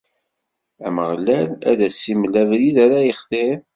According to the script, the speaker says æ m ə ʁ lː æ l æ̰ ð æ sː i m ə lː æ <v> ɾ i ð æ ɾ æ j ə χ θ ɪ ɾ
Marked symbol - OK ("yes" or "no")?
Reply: yes